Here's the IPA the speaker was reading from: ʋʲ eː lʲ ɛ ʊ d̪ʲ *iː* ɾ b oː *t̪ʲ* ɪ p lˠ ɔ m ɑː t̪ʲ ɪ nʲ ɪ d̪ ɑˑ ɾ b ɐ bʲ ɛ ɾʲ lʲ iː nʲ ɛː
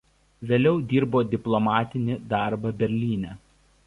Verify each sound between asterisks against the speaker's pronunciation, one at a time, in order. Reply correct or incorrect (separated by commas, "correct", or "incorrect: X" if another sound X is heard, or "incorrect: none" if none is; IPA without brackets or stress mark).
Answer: correct, incorrect: d̪ʲ